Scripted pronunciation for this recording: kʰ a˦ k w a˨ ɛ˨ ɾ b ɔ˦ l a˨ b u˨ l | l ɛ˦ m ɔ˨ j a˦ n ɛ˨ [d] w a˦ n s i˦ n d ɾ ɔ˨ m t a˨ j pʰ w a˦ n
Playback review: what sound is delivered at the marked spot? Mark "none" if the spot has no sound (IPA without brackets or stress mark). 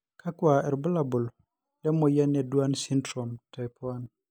d